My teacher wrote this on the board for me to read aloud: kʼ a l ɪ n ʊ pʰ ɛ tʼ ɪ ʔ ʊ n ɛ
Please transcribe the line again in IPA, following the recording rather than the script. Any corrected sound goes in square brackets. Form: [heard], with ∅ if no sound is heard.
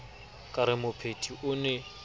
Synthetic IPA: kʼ a [ɾ] ɪ [m] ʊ pʰ [e] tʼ [i] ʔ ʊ n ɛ